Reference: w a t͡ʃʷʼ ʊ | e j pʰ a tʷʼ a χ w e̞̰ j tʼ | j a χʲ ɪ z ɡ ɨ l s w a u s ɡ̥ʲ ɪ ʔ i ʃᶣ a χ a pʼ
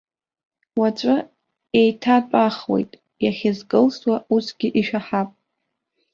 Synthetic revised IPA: w a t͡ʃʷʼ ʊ | e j tʰ a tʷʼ a χ w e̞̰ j tʼ | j a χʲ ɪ z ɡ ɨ l s w a u s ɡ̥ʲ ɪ ʔ i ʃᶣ a ħ a pʼ